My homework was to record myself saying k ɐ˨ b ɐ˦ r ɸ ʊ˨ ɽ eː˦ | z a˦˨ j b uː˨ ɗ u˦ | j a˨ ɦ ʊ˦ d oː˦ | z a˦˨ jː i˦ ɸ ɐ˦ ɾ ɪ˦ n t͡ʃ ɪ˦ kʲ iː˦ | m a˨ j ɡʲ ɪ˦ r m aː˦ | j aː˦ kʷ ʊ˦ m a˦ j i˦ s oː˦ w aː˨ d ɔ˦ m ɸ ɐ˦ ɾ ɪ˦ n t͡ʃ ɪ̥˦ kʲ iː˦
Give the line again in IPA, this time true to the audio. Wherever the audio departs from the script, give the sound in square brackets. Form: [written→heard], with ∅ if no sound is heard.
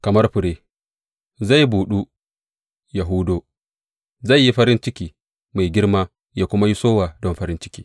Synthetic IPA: k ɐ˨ [b→m] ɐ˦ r ɸ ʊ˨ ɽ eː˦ | z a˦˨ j b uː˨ ɗ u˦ | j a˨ ɦ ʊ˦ d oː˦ | z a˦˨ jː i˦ ɸ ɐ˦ ɾ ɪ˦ n t͡ʃ ɪ˦ kʲ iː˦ | m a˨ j ɡʲ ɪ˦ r m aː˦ | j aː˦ kʷ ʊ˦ m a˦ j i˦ s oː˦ w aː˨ d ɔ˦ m ɸ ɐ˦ ɾ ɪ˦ n t͡ʃ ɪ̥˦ kʲ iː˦